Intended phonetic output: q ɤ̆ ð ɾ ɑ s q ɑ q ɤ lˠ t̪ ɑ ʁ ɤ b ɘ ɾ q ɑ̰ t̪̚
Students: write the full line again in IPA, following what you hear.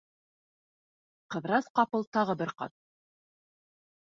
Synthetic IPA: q ɤ̆ ð ɾ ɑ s q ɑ p ɤ lˠ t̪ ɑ ʁ ɤ b ɘ ɾ q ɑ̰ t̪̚